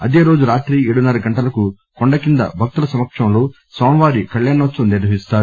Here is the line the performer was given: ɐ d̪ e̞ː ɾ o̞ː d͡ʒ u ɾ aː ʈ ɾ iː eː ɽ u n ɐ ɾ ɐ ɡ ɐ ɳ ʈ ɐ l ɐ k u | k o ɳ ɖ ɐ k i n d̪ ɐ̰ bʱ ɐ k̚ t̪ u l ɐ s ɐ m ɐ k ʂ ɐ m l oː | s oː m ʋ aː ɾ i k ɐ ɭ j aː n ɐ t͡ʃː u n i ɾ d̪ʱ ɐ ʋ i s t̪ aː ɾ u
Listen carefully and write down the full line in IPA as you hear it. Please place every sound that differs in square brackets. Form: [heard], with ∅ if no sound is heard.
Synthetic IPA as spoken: ɐ d̪ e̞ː ɾ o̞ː d͡ʒ u ɾ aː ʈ ɾ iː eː ɽ u n ɐ ɾ ɐ ɡ ɐ ɳ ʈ ɐ l ɐ k u | k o ɳ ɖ ɐ k i n d̪ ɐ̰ bʱ ɐ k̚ t̪ u l ɐ s ɐ m ɐ k ʂ ɐ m l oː | s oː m ʋ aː ɾ i k ɐ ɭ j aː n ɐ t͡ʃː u n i ɾ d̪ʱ ɐ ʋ i s t̪ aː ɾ u